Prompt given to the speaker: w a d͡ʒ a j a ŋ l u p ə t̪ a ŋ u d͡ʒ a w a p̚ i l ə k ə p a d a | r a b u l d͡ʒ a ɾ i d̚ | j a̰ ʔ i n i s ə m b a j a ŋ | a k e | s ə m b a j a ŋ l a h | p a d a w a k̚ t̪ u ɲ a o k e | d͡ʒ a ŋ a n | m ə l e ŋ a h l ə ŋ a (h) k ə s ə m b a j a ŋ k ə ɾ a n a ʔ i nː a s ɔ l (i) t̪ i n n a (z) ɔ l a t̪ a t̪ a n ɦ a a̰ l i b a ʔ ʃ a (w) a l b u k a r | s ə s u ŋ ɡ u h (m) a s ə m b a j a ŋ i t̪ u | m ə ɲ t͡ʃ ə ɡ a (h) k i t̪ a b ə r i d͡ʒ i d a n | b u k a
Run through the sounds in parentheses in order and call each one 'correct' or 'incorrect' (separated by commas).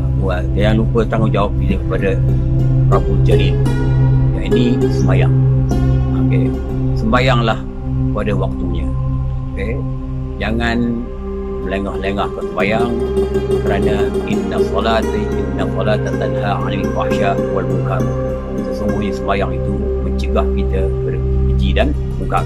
correct, incorrect, incorrect, correct, incorrect, correct